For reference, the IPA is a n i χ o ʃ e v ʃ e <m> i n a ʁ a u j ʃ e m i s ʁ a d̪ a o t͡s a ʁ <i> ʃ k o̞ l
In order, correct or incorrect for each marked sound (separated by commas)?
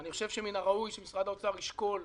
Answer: correct, correct